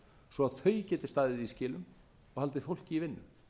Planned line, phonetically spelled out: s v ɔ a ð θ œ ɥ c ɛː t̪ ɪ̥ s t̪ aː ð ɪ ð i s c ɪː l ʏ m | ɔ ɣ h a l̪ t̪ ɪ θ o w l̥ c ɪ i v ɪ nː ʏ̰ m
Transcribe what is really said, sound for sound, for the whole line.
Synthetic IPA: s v ɔ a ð θ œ ɥ c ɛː t̪ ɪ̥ s t̪ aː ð ɪ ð i s c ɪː l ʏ m | ɔ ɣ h a l̪ t̪ ɪ f o w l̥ c ɪ i v ɪ nː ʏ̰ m